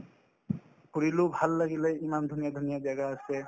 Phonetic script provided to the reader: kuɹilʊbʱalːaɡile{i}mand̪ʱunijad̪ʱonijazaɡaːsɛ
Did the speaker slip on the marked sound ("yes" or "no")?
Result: no